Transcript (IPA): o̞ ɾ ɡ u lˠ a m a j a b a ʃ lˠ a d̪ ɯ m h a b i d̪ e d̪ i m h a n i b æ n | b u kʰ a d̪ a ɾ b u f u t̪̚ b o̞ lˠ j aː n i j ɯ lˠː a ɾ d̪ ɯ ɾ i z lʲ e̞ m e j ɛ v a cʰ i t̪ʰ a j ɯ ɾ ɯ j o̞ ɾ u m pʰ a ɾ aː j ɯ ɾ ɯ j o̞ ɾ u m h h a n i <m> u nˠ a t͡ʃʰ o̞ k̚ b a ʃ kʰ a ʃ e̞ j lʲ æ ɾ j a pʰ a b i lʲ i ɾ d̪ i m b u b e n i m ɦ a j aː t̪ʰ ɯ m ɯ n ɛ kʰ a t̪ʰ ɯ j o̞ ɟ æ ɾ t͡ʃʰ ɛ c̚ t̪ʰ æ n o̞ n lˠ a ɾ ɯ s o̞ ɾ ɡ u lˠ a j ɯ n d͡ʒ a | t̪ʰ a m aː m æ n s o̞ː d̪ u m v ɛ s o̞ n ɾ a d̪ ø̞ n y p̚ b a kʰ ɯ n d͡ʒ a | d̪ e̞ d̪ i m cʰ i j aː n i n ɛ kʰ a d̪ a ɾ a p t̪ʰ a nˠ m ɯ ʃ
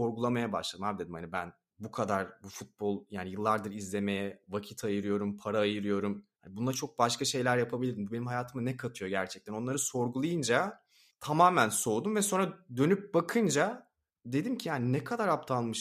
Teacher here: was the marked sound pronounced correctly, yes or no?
no